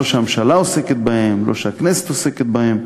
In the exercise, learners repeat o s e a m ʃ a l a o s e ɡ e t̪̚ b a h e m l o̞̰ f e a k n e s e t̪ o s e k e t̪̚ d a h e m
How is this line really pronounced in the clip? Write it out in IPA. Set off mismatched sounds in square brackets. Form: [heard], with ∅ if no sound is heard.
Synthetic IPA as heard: o [ʃ] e a m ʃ a l a o s e [k] e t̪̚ b a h e m l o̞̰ [ʃ] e a k n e s e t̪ o s e k e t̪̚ [b] a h e m